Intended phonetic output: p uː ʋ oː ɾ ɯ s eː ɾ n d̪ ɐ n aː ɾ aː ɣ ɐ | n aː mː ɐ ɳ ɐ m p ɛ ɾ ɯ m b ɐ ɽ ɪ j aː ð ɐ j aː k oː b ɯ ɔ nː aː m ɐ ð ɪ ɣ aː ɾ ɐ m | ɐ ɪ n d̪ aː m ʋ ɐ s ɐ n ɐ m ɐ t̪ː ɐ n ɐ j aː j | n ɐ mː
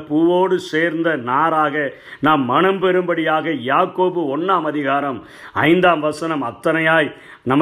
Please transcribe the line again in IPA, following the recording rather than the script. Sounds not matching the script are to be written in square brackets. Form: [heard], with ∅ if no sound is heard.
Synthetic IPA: p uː ʋ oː [ɽ] ɯ s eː ɾ n d̪ ɐ n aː ɾ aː ɣ ɐ | n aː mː ɐ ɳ ɐ m p ɛ ɾ ɯ m b ɐ ɽ ɪ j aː [ɣ] ɐ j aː k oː b ɯ ɔ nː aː m ɐ ð ɪ ɣ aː ɾ ɐ m | ɐ ɪ n d̪ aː m ʋ ɐ s ɐ n ɐ m ɐ t̪ː ɐ n ɐ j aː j | n ɐ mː